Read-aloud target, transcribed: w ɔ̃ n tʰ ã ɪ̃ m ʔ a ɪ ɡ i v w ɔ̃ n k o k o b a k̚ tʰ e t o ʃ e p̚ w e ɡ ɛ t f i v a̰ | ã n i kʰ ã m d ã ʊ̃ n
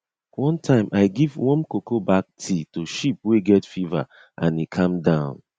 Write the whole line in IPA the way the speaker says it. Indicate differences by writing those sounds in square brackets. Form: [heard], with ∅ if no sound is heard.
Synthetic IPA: w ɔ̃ n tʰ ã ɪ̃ m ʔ a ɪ ɡ i v w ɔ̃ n k o k o b a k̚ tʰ [i] t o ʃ [i] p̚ w e ɡ ɛ t f i v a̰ | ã n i kʰ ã m d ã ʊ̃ n